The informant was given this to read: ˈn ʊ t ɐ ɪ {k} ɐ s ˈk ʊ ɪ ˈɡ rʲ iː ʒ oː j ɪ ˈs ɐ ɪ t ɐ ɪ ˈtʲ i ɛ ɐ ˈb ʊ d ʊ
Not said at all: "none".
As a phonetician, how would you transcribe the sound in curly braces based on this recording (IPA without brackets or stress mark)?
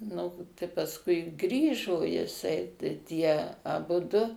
p